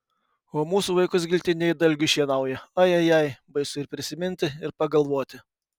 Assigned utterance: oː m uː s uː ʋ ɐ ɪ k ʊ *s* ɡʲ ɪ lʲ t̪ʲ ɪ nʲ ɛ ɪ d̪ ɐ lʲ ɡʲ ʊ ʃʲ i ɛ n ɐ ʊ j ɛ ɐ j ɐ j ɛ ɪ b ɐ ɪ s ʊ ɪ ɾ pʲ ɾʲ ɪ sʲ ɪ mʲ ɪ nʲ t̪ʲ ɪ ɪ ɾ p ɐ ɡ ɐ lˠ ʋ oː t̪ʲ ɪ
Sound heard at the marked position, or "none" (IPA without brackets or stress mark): s